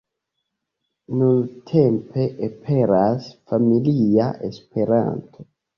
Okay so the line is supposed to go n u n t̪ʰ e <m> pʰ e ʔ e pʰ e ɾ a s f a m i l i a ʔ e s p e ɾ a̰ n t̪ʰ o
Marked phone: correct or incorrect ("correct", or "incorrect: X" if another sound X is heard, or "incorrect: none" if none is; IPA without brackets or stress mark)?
correct